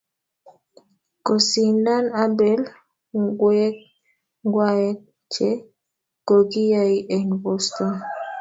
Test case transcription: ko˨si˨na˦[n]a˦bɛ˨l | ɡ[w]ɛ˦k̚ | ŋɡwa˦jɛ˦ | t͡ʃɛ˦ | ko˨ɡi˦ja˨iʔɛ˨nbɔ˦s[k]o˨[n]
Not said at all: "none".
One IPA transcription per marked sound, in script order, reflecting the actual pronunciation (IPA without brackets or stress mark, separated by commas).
n, w, t, n